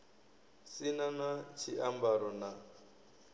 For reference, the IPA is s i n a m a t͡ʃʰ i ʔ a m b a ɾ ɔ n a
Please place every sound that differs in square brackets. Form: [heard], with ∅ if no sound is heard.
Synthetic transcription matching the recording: s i n a [n] a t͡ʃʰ i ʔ a m b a ɾ ɔ n a